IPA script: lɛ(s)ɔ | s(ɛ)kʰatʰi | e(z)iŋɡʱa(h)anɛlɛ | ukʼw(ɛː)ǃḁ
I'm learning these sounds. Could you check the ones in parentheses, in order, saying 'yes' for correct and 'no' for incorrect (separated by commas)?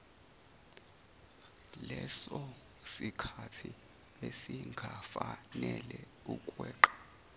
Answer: yes, no, no, no, yes